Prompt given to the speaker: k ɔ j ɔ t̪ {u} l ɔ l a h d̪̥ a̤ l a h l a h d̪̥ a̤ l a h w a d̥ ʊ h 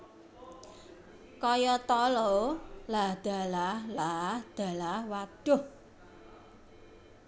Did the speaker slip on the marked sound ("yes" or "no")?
yes